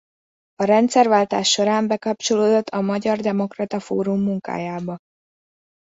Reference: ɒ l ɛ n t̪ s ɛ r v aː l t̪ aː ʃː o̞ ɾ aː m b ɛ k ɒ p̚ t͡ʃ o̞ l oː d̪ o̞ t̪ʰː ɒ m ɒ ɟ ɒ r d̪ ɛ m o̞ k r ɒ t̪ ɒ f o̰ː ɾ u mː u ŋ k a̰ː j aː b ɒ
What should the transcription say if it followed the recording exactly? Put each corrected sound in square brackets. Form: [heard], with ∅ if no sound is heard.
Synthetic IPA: ɒ [ɾ] ɛ n t̪ s ɛ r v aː l t̪ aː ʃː o̞ ɾ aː m b ɛ k ɒ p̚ t͡ʃ o̞ l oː d̪ o̞ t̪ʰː ɒ m ɒ ɟ ɒ r d̪ ɛ m o̞ k r ɒ t̪ ɒ f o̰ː ɾ u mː u ŋ k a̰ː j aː b ɒ